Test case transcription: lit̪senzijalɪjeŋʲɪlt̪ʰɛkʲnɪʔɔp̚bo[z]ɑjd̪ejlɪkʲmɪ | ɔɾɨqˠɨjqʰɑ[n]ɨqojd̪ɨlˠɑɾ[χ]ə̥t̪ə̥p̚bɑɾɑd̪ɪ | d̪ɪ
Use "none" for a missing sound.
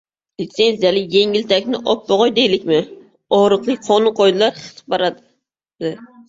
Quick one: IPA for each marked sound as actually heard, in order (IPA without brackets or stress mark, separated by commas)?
ʁ, n, χ